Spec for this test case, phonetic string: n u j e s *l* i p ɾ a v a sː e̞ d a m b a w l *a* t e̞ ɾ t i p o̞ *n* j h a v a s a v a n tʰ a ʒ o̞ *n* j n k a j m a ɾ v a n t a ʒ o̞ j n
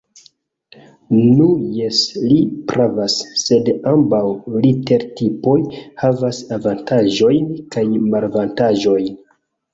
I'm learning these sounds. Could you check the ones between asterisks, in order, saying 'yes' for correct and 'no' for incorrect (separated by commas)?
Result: yes, no, no, no